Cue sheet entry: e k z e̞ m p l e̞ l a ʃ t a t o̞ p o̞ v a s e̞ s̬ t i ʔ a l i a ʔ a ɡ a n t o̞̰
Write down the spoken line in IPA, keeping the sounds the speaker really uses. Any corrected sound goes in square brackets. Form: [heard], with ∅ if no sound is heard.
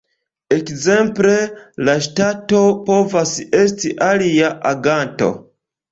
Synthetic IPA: e k z e̞ m p l e̞ l a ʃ t a t o̞ p o̞ v a s e̞ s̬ t i ʔ a l i a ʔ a ɡ a n t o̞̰